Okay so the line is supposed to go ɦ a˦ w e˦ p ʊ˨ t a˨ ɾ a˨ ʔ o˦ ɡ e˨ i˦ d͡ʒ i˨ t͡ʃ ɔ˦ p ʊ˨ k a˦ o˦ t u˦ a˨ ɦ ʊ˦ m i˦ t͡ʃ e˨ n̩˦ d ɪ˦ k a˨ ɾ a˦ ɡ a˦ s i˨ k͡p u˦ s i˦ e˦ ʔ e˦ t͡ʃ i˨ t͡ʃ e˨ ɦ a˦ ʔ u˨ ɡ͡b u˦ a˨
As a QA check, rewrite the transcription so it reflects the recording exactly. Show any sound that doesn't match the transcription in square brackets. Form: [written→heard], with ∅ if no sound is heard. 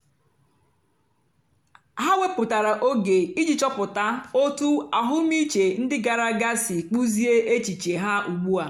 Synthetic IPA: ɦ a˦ w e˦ p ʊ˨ t a˨ ɾ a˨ ʔ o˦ ɡ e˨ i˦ d͡ʒ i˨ t͡ʃ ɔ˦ p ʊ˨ [k→t] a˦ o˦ t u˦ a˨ ɦ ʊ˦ m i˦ t͡ʃ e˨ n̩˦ d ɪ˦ [k→ɡ] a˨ ɾ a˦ ɡ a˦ s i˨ k͡p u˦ [s→z] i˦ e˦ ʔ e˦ t͡ʃ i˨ t͡ʃ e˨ ɦ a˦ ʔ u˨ ɡ͡b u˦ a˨